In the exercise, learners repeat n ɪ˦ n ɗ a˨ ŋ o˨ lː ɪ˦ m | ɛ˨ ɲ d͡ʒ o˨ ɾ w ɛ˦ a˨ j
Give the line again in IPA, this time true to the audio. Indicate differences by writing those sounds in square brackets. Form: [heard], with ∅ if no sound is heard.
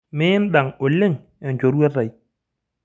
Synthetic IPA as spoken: [m] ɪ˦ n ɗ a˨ ŋ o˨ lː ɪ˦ [ŋ] | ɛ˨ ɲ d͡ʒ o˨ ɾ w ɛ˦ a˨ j